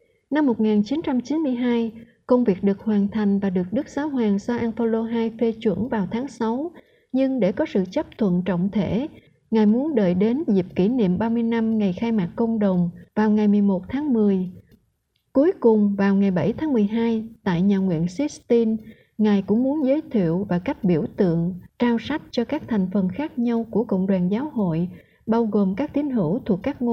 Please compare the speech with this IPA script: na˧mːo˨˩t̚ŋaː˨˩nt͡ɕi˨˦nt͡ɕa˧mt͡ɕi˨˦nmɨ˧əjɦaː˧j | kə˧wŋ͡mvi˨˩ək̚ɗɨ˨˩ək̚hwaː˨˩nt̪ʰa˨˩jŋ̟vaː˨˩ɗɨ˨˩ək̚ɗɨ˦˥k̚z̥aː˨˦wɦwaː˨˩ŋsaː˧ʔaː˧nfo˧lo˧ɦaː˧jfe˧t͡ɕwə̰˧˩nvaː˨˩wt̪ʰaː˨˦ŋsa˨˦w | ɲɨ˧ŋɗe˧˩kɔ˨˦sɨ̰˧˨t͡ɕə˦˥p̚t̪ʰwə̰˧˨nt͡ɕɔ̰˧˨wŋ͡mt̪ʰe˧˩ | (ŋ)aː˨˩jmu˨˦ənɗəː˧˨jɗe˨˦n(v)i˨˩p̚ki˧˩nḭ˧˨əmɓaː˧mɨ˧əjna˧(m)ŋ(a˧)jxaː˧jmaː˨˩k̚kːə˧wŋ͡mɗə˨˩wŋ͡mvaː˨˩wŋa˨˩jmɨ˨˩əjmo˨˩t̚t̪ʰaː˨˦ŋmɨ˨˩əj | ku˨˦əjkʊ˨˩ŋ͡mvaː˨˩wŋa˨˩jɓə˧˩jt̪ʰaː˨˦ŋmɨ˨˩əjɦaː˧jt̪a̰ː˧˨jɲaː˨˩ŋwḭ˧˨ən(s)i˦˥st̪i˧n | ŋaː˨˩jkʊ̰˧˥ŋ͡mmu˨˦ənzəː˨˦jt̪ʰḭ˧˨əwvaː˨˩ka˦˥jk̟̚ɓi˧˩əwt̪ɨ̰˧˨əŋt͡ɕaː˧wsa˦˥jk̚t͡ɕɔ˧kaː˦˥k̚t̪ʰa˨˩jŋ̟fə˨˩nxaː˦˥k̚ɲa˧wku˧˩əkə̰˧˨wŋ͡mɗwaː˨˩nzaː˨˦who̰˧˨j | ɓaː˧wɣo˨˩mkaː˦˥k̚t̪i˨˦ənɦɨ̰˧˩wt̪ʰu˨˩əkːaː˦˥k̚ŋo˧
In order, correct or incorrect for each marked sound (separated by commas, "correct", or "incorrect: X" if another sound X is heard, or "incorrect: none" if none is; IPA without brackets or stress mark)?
correct, incorrect: z, correct, incorrect: a˨˩, correct